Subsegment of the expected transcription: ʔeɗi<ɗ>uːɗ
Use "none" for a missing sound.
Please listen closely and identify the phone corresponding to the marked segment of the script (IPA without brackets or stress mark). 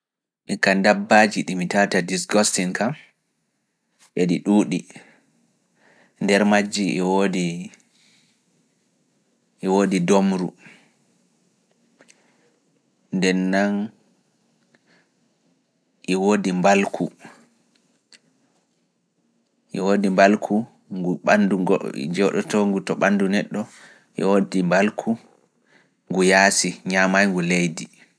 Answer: ɗ